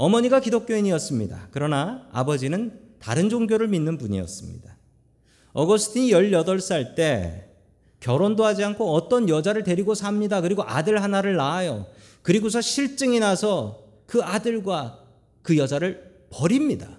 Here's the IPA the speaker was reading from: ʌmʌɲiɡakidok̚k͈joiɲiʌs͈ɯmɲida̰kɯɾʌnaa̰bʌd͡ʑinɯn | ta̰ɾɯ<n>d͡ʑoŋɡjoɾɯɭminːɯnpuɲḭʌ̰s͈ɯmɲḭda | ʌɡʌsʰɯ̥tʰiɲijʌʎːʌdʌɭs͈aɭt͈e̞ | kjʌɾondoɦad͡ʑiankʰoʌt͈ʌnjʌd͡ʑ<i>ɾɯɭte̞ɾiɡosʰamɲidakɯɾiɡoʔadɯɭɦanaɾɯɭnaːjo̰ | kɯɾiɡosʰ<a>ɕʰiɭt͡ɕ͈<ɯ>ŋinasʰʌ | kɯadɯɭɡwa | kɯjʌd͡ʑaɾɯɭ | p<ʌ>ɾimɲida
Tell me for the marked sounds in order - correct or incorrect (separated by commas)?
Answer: correct, incorrect, incorrect, correct, correct